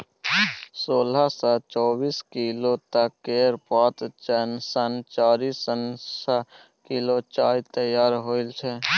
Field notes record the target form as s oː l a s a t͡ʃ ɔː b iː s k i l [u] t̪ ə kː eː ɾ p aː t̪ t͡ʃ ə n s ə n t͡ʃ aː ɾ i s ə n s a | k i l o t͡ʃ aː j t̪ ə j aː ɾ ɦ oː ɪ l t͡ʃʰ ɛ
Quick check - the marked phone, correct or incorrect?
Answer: incorrect